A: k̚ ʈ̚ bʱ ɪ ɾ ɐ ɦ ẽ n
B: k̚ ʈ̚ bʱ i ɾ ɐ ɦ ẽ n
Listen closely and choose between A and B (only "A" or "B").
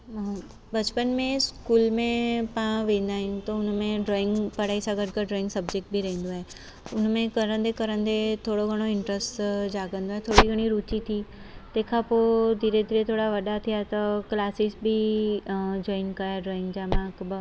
B